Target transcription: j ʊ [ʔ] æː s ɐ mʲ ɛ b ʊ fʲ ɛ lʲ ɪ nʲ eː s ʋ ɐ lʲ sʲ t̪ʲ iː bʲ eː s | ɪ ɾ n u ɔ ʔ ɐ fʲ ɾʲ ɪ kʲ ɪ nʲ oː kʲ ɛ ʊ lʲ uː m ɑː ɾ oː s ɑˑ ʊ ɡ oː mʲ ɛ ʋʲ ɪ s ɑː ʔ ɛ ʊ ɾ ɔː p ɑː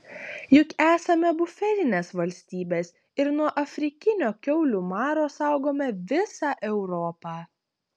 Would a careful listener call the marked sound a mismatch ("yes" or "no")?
yes